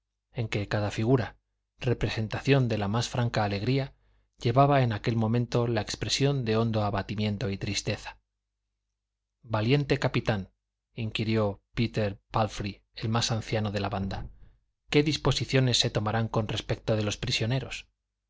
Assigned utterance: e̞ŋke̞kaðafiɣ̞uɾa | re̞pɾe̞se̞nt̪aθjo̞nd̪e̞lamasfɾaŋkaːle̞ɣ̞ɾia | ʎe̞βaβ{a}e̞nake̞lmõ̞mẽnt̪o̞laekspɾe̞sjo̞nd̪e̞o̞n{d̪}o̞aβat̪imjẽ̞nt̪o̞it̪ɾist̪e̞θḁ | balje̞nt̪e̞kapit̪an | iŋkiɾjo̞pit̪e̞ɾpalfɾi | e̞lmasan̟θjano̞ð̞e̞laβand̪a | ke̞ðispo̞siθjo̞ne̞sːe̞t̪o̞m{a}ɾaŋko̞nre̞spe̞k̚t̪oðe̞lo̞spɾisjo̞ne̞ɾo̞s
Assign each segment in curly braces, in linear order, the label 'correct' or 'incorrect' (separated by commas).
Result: correct, correct, correct